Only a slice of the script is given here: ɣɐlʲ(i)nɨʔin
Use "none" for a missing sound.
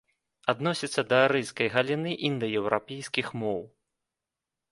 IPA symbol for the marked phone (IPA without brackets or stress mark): i